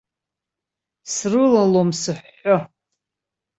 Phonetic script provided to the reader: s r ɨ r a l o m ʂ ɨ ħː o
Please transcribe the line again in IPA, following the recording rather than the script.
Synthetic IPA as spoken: s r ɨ l a l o m s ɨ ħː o

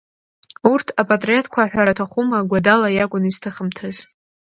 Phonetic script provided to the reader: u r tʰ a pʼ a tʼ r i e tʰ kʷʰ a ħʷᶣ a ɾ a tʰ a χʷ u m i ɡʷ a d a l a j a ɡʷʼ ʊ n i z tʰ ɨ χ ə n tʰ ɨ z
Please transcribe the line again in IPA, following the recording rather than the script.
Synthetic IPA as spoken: u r tʰ a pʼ a tʼ r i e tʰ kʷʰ a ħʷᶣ a ɾ a tʰ a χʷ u m a ɡʷ a d a l a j a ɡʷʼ ʊ n i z tʰ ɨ χ ə m tʰ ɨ z

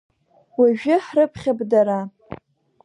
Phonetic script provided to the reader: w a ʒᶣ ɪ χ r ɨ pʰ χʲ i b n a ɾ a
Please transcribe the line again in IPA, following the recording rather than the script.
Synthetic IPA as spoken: w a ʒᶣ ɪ ħ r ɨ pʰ χʲ a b d a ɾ a

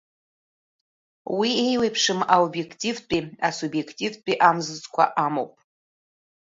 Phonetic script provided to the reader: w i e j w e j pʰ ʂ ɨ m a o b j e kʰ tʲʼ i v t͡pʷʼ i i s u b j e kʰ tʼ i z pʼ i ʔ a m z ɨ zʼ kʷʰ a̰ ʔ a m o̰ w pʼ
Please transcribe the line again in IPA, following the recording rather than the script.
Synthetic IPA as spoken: w i e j w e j pʰ ʂ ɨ m a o b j e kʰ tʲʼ i v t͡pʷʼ i a s u b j e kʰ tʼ i v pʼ i ʔ a m z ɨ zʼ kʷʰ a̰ ʔ a m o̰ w pʼ

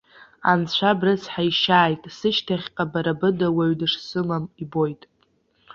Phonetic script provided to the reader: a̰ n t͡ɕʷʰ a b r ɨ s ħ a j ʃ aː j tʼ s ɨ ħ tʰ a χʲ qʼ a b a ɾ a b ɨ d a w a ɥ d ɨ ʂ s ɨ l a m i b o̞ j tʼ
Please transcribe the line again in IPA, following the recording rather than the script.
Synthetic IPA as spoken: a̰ n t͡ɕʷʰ a b r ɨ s ħ a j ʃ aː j tʼ s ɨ ʃ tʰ a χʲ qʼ a b a ɾ a b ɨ d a w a ɥ d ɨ ʂ s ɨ l a m i b o̞ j tʼ

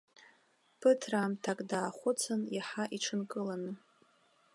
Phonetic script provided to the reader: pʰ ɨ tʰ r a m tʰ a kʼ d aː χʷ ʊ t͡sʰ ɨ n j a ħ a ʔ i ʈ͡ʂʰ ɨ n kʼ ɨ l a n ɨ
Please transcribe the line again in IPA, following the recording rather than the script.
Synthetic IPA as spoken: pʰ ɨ tʰ r a m tʰ a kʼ d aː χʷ ʊ t͡sʰ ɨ n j a ħ a ʔ i ʈ͡ʂʰ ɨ n kʼ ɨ l a n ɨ

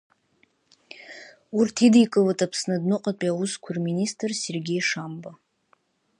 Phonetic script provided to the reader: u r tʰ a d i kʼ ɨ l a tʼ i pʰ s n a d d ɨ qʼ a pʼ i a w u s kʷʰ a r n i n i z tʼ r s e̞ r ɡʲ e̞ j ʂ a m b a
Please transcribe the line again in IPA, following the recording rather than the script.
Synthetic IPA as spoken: u r tʰ i d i kʼ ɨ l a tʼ a pʰ s n a d n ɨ qʼ a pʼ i a w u s kʷʰ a r m i n i s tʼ r s e̞ r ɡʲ e̞ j ʂ a m b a

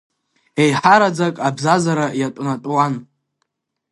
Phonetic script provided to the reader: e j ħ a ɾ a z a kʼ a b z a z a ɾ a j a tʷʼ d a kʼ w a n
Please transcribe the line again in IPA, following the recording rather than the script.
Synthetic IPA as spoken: e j ħ a ɾ a d͡z a kʼ a b z a z a ɾ a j a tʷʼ n a tʼ w a n

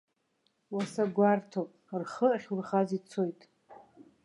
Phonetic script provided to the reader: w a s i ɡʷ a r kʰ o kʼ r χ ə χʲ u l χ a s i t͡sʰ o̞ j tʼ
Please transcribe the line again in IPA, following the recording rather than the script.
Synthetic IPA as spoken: w a s a ɡʷ a r tʰ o pʼ r χ ə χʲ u r χ a z i t͡sʰ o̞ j tʼ

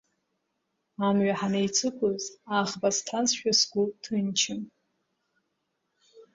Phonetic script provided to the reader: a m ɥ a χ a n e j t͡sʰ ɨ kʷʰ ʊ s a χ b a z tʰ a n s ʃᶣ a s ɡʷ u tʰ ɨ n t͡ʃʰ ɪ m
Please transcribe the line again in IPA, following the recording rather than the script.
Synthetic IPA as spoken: a m ɥ a ħ a n e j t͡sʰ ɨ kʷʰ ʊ z a ʁ b a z tʰ a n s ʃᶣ a s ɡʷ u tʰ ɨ n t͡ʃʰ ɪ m

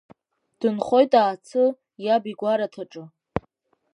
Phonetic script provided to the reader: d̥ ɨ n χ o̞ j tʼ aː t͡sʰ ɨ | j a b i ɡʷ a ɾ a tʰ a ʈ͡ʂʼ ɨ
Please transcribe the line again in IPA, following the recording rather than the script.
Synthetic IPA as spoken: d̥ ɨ n χ o̞ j tʼ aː t͡sʰ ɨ | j a b i ɡʷ a ɾ a tʰ a ʈ͡ʂʼ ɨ

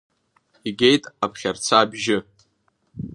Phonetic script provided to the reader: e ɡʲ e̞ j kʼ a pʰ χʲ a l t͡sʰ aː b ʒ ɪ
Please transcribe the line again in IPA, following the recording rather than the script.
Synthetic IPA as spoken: i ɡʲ e̞ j tʼ a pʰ χʲ a r t͡sʰ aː b ʒ ɪ

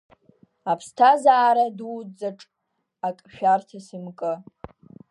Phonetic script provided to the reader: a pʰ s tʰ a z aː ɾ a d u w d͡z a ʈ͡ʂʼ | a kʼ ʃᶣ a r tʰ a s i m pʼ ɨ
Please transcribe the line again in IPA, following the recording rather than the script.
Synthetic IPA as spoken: a pʰ s tʰ a z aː ɾ a d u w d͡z a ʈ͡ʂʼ | a kʼ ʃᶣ a r tʰ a s i m kʼ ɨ

